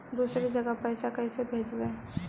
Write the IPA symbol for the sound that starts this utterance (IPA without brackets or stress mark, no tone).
d̪